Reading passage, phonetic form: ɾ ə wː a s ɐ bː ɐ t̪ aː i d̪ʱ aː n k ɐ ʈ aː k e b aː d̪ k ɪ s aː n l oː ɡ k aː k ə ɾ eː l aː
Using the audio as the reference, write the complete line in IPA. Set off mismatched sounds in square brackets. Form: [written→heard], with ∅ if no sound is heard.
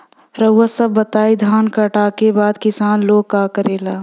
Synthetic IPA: ɾ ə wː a s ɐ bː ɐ t̪ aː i d̪ʱ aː n k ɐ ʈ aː k e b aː d̪ k ɪ s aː n l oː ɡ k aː k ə ɾ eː l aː

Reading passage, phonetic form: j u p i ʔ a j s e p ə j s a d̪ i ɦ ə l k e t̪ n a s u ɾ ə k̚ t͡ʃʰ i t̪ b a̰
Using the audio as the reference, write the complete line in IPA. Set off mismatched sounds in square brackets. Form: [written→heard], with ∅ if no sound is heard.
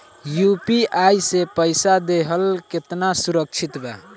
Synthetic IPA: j u p i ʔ a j s e p ə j s a d̪ [i→e] ɦ ə l k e t̪ n a s u ɾ ə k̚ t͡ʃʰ i t̪ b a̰

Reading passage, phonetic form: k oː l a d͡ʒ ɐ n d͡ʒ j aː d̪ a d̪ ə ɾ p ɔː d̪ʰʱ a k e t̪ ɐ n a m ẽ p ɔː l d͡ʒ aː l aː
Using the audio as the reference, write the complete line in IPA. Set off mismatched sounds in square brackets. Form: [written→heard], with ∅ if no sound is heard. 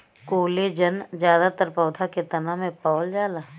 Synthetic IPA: k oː l [a→e] d͡ʒ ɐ n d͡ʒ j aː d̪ a [d̪→t̪] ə ɾ p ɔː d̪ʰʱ a k e t̪ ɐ n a m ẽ p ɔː l d͡ʒ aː l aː

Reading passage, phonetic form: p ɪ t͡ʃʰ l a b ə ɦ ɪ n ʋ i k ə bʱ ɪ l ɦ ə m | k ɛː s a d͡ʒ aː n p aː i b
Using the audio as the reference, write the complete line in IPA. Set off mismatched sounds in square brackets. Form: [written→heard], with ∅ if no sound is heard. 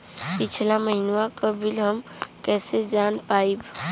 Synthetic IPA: p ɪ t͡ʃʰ l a [b→m] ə ɦ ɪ n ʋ [i→a] k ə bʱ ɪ l ɦ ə m | k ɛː s [a→e] d͡ʒ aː n p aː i b

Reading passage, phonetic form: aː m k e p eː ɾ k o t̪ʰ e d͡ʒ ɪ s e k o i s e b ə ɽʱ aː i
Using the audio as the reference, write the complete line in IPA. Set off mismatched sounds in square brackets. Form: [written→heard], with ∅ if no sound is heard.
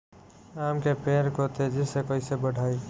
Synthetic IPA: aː m k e p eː ɾ k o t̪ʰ e d͡ʒ ɪ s e k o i s e b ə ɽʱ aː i

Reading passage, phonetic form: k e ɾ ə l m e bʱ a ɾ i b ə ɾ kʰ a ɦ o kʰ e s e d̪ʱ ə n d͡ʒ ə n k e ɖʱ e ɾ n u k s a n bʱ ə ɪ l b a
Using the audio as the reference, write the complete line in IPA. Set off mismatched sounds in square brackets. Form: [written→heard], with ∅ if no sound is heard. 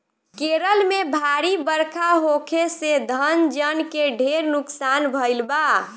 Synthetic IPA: k e ɾ ə l m e bʱ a ɾ i b ə ɾ kʰ a ɦ o kʰ e s e d̪ʱ ə n d͡ʒ ə n k e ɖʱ e ɾ n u k s a n bʱ ə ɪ l b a

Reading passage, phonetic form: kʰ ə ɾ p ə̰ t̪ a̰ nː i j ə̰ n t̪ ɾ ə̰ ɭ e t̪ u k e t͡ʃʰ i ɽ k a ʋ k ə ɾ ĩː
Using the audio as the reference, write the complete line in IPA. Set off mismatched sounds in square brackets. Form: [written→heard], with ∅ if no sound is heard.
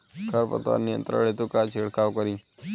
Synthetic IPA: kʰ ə ɾ p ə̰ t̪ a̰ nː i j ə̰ n t̪ ɾ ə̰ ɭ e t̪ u k [e→a] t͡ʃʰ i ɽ k a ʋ k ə ɾ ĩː

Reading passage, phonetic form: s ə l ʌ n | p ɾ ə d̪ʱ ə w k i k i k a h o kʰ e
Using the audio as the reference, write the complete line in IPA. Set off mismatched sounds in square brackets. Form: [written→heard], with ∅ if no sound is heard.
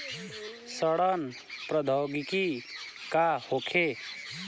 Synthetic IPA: s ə [l→ɽ] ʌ n | p ɾ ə d̪ʱ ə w [k→ɡ] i k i k a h o kʰ e

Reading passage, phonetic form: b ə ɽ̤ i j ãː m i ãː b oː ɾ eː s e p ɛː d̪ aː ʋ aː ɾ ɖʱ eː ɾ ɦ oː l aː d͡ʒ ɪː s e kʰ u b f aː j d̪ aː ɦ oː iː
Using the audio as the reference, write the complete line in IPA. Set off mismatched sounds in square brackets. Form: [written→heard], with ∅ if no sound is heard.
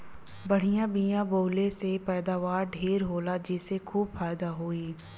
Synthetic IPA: b ə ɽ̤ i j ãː [m→b] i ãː b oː [ɾ→l] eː s e p ɛː d̪ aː ʋ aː ɾ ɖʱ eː ɾ ɦ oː l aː d͡ʒ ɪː s e kʰ [u→uː] b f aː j d̪ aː ɦ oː iː

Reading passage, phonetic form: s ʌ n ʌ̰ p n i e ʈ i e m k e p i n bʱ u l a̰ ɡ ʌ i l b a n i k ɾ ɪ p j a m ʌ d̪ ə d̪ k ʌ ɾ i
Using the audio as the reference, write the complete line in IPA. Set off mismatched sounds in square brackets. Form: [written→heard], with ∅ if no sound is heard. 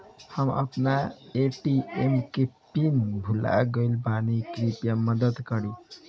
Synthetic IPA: [s→h] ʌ [n→m] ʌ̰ p n [i→a] e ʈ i e m k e p i n bʱ u l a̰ ɡ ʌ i l b a n i k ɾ [ɪ→i] p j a m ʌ d̪ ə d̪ k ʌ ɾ i

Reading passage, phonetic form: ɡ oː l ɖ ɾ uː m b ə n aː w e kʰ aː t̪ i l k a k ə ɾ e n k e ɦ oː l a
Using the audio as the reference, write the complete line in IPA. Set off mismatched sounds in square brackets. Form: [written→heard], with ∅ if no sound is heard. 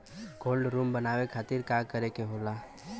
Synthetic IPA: ɡ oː l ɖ ɾ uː m b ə n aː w e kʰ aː t̪ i [l→ɾ] k a k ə ɾ e [n→∅] k e ɦ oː l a

